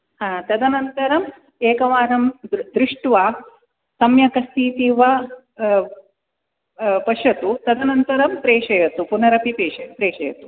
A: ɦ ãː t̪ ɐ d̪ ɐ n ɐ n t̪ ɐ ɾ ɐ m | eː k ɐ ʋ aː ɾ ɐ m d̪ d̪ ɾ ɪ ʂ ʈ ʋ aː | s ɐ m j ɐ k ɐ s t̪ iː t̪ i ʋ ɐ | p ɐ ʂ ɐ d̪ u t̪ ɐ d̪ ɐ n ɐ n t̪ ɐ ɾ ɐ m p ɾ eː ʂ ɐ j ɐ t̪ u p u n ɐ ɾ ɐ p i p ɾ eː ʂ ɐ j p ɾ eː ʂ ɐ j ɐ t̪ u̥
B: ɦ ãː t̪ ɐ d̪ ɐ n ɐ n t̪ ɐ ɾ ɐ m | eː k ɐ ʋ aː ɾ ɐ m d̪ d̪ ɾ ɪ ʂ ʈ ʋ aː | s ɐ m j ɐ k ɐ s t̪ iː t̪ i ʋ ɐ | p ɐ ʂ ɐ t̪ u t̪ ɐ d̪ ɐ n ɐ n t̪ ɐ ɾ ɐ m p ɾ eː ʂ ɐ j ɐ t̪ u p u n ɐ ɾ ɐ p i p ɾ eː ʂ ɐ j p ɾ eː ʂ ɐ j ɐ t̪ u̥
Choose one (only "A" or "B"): B